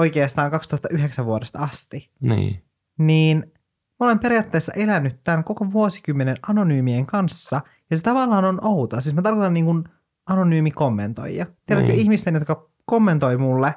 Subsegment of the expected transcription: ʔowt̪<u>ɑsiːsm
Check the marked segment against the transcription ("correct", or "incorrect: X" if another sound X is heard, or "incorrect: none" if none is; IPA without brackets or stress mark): incorrect: o